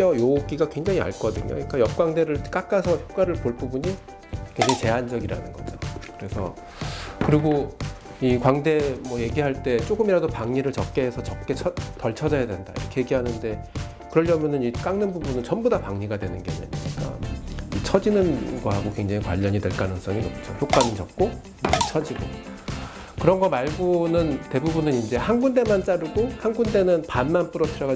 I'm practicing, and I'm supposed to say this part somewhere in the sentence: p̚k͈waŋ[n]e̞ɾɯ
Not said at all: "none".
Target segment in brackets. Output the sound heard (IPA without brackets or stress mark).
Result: d